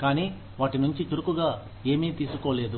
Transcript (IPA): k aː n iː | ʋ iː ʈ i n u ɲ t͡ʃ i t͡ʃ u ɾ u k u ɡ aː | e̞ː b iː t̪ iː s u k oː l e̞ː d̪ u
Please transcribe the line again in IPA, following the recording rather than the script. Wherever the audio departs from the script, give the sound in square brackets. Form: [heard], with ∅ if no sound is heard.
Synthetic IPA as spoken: k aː n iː | ʋ [aː] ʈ i n u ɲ t͡ʃ i t͡ʃ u ɾ u k u ɡ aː | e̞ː [m] iː t̪ iː s u k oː l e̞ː d̪ u